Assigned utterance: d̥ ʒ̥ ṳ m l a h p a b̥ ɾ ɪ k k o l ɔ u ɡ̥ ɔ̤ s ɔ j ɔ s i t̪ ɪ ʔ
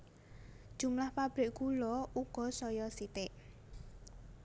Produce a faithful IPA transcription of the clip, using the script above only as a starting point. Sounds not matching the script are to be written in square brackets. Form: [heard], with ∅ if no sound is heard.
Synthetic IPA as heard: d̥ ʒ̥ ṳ m l a h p a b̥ ɾ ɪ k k [u] l ɔ u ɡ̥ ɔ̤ s ɔ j ɔ s i t̪ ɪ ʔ

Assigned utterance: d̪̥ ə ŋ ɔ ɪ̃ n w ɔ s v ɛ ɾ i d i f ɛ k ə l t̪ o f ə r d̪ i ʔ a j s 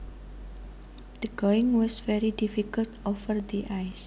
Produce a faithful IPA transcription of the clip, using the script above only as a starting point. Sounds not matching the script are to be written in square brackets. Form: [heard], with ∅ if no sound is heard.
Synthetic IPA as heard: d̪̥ ə [ɡ] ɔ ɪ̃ [ŋ] w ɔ s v ɛ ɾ i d i f [i] k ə l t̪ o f ə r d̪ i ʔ a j s

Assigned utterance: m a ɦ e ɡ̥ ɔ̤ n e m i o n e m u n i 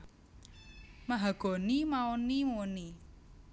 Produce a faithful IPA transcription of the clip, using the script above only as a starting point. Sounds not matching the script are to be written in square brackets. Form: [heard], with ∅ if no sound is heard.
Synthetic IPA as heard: m a ɦ [a] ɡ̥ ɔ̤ n [i] m [a] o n [i] m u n i

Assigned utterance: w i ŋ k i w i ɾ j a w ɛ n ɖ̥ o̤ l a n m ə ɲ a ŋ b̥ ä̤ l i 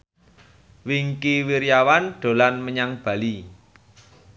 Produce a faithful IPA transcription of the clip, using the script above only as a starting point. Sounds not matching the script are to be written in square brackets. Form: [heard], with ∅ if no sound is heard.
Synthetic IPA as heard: w i ŋ k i w i ɾ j a w [a] n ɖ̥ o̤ l a n m ə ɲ a ŋ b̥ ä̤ l i

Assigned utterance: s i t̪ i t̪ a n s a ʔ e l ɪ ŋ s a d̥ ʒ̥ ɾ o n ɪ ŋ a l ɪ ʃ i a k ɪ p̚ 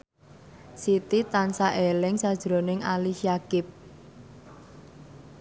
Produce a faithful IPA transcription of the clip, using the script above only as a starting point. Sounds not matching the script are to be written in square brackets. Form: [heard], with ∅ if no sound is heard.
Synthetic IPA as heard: s i t̪ i t̪ a n s a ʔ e l ɪ ŋ s a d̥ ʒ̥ ɾ o n ɪ ŋ a l [i] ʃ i a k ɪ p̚

